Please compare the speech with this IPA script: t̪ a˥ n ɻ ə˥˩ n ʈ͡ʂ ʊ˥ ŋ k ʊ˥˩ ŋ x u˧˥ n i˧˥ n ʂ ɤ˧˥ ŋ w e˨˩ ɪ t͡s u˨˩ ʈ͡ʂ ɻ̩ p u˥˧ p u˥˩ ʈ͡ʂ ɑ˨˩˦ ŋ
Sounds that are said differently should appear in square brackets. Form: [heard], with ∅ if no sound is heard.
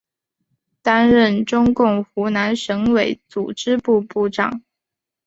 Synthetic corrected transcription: t̪ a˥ n ɻ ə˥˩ n ʈ͡ʂ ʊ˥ ŋ k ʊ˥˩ ŋ x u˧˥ n [a˧˥] n ʂ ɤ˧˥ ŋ w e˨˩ ɪ t͡s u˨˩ ʈ͡ʂ ɻ̩ p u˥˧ p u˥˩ ʈ͡ʂ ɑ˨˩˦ ŋ